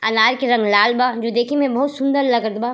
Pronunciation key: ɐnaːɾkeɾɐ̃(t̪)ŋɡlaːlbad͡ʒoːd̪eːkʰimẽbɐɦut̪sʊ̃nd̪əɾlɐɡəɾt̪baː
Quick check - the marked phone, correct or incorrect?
incorrect